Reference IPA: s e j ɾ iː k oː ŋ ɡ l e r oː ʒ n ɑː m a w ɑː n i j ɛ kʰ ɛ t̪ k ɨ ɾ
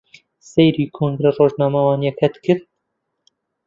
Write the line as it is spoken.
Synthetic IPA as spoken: s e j ɾ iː kʰ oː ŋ ɡ ɾ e r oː ʒ n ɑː m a w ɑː n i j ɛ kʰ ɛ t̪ k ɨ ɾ